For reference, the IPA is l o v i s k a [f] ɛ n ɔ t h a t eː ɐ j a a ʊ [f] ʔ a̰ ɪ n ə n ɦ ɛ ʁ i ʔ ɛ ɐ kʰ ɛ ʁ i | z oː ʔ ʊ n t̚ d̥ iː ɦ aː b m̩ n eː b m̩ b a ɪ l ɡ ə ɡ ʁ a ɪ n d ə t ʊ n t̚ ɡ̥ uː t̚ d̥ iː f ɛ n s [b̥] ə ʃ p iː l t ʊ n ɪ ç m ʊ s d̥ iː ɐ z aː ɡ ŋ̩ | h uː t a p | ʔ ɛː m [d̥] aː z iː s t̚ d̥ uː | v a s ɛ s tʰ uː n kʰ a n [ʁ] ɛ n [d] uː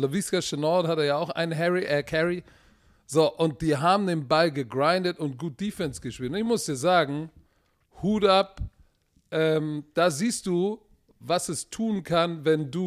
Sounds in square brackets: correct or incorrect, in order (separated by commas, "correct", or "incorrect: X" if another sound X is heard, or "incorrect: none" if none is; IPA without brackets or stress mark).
incorrect: ʃ, incorrect: x, incorrect: ɡ̥, correct, incorrect: v, correct